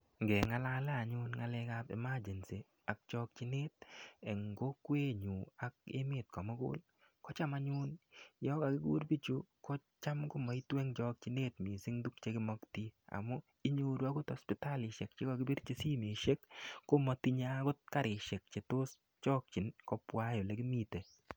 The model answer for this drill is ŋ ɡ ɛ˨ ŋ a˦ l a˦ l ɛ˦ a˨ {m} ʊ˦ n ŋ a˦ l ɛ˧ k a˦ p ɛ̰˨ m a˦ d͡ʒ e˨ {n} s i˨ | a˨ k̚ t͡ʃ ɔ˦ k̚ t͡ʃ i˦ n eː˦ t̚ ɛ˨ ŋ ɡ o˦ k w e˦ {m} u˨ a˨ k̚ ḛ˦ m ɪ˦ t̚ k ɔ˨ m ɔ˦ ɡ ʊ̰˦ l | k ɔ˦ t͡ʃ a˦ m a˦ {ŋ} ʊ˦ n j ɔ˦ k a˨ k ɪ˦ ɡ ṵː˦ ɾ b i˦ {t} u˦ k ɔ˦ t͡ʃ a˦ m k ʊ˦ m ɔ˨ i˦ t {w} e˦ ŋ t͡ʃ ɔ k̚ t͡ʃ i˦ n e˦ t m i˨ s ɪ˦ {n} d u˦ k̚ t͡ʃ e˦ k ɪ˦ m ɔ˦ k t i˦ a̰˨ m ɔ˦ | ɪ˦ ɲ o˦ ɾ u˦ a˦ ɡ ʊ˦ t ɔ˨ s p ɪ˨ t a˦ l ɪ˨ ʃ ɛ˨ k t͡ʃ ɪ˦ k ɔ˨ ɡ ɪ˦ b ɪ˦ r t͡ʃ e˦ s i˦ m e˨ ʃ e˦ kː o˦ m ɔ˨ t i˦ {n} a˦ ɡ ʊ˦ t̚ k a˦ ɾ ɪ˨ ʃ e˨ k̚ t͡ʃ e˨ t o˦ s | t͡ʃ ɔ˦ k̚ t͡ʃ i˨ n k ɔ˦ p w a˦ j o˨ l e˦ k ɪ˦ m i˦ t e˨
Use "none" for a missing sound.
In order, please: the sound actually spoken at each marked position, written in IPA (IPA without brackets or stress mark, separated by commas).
ɲ, n, ɲ, ɲ, t͡ʃ, w, ŋ, ɲ